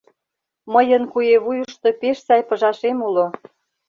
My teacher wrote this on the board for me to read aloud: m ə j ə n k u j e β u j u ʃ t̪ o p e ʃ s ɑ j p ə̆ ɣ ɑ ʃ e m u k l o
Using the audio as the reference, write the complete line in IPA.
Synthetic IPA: m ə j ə n k u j e β u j u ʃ t̪ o p e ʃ s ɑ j p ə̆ ʒ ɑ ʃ e m u l o